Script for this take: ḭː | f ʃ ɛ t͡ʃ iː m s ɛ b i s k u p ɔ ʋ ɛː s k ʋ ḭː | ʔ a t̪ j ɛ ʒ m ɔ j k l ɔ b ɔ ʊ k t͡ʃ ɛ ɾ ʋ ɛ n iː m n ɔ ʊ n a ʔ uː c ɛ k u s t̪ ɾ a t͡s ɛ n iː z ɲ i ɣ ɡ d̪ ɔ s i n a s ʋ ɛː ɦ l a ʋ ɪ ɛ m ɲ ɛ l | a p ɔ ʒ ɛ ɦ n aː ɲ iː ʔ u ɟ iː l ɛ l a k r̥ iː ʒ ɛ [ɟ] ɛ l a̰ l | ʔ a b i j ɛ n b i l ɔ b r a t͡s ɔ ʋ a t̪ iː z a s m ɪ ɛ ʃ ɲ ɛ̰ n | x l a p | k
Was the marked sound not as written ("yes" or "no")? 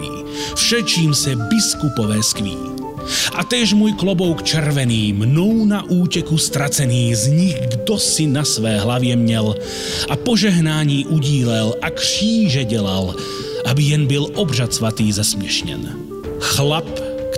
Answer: no